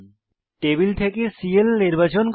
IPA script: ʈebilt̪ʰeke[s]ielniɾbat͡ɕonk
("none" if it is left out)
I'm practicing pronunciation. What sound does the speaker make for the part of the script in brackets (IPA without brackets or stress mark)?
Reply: s